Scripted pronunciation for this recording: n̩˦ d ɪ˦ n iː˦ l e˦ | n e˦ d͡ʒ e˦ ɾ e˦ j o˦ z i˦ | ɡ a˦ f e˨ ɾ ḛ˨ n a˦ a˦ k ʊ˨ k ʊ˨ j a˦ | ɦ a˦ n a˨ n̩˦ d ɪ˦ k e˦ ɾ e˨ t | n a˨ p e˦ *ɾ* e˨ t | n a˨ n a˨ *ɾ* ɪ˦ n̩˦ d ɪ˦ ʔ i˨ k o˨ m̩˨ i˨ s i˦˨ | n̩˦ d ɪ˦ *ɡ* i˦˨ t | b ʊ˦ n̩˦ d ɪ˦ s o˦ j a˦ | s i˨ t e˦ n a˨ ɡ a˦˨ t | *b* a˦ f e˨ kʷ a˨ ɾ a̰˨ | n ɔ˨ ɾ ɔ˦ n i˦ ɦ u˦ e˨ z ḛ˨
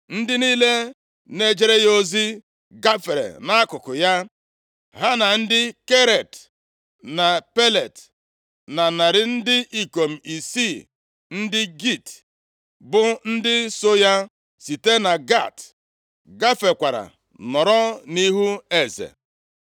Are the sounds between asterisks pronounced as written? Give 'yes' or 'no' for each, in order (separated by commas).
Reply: no, yes, yes, no